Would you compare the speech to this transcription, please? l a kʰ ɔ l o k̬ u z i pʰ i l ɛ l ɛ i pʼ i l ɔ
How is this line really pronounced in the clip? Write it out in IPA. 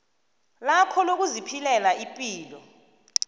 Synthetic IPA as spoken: l a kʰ ɔ l o k̬ u z i pʰ i l ɛ l a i pʼ iː l ɔ